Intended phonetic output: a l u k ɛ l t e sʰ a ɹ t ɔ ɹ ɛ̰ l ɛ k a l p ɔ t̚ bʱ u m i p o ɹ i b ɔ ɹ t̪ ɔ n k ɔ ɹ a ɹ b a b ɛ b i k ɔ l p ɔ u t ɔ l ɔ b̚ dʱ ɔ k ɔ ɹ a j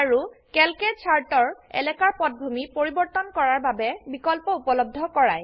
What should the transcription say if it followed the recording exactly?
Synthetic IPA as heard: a ɹ u k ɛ l k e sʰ a ɹ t ɔ ɹ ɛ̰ l ɛ k a ɹ p ɔ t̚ bʱ u m i p o ɹ i b ɔ ɹ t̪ ɔ n k ɔ ɹ a ɹ b a b ɛ b i k ɔ l p ɔ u p ɔ l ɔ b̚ dʱ ɔ k ɔ ɹ a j